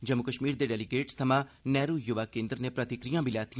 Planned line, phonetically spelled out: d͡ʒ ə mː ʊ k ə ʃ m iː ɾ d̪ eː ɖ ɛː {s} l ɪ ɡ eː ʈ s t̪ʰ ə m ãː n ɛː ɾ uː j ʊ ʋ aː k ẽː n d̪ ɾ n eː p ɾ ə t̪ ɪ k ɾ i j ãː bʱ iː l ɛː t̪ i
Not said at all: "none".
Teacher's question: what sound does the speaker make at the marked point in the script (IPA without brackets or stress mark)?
none